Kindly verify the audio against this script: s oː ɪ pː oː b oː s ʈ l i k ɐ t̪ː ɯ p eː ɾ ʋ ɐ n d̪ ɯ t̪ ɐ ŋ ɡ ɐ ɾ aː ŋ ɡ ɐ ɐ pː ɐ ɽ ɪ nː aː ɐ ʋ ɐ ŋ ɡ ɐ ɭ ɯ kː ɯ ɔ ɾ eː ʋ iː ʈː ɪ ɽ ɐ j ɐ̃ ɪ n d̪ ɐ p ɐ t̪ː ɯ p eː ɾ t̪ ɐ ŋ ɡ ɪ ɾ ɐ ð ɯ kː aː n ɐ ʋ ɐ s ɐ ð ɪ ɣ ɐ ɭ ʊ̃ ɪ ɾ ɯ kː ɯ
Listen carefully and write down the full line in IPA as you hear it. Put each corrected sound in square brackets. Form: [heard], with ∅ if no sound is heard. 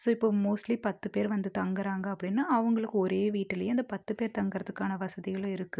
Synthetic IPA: s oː ɪ pː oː [m] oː s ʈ l i [p] ɐ t̪ː ɯ p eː ɾ ʋ ɐ n d̪ ɯ t̪ ɐ ŋ ɡ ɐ ɾ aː ŋ ɡ ɐ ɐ pː ɐ ɽ ɪ nː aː ɐ ʋ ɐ ŋ ɡ ɐ ɭ ɯ kː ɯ ɔ ɾ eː ʋ iː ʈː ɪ [l] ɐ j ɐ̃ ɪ n d̪ ɐ p ɐ t̪ː ɯ p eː ɾ t̪ ɐ ŋ ɡ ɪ ɾ ɐ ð ɯ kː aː n ɐ ʋ ɐ s ɐ ð ɪ ɣ ɐ ɭ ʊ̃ ɪ ɾ ɯ kː ɯ

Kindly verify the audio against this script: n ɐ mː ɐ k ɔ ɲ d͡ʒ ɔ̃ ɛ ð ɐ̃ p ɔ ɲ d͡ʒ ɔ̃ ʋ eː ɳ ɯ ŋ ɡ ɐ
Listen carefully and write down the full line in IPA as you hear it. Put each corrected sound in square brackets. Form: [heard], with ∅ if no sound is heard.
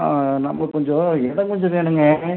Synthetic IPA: n ɐ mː ɐ k ɔ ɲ d͡ʒ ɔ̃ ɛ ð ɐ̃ [k] ɔ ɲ d͡ʒ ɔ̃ ʋ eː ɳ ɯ ŋ ɡ ɐ

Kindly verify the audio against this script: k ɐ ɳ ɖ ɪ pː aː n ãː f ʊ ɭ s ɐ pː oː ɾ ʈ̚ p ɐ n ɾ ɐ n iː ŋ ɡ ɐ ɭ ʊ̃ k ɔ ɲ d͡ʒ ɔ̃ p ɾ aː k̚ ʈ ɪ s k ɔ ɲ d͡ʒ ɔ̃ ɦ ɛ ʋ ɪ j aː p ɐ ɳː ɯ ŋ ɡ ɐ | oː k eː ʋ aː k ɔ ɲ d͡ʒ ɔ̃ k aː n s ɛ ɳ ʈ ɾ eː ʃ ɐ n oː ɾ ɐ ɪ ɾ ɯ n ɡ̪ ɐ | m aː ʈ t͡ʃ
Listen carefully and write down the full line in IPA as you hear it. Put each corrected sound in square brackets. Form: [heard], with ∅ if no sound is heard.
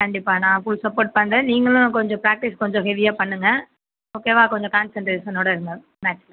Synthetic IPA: k ɐ ɳ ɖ ɪ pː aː n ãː f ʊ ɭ s ɐ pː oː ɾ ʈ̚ p ɐ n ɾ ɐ n iː ŋ ɡ ɐ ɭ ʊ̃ k ɔ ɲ d͡ʒ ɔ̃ p ɾ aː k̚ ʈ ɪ s k ɔ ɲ d͡ʒ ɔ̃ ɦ ɛ ʋ ɪ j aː p ɐ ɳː ɯ ŋ ɡ ɐ | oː k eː ʋ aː k ɔ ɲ d͡ʒ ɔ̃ k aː n s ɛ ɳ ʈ ɾ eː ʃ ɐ n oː [ɽ] ɐ ɪ ɾ ɯ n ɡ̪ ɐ | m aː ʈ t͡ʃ

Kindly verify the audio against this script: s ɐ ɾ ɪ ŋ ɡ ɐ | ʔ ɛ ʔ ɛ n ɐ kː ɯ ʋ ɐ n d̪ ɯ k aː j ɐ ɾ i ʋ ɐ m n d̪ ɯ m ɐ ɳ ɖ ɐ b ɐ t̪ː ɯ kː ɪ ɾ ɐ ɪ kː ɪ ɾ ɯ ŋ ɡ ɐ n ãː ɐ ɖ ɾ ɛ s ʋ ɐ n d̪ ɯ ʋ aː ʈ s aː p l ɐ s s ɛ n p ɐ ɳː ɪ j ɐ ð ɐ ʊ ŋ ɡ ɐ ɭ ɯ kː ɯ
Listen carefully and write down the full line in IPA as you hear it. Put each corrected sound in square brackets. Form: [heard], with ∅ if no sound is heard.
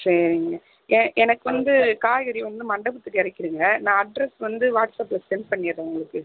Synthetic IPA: s ɐ ɾ ɪ ŋ ɡ ɐ | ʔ ɛ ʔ ɛ n ɐ kː ɯ ʋ ɐ n d̪ ɯ k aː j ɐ ɾ i ʋ ɐ [∅] n d̪ ɯ m ɐ ɳ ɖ ɐ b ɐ t̪ː ɯ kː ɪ ɾ ɐ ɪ kː ɪ ɾ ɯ ŋ ɡ ɐ n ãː ɐ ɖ ɾ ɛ s ʋ ɐ n d̪ ɯ ʋ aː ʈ s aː p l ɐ s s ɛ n p ɐ ɳː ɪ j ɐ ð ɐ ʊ ŋ ɡ ɐ ɭ ɯ kː ɯ

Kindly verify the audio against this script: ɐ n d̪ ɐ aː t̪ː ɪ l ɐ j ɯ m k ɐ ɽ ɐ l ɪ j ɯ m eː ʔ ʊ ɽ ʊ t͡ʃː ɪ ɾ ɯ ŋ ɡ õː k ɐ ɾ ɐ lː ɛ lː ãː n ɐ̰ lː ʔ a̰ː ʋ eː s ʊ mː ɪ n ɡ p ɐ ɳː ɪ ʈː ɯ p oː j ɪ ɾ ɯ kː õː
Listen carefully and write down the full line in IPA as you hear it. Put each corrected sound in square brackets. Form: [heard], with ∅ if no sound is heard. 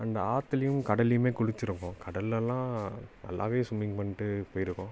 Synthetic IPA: ɐ n d̪ ɐ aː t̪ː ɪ l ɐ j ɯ m k ɐ ɽ ɐ l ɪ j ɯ m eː [k] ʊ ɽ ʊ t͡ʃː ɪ ɾ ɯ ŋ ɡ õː k ɐ [ɽ] ɐ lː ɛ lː ãː n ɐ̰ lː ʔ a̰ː ʋ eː s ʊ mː ɪ [ŋ] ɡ p ɐ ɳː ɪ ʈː ɯ p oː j ɪ ɾ ɯ kː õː

